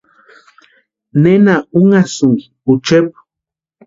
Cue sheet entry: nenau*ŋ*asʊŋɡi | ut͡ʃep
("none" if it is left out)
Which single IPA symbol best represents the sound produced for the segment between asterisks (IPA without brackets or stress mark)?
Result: ŋ